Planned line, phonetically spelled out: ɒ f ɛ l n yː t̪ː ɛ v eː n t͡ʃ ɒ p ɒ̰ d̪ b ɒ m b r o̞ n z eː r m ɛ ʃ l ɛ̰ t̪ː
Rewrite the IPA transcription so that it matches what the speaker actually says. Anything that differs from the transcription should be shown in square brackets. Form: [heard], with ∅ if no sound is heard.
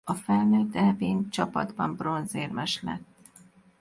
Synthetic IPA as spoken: ɒ f ɛ l n [øː] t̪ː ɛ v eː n t͡ʃ ɒ p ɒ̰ d̪ b ɒ m b r o̞ n z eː r m ɛ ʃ l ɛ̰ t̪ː